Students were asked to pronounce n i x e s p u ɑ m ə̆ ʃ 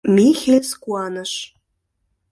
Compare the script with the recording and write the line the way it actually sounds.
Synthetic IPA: m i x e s k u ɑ n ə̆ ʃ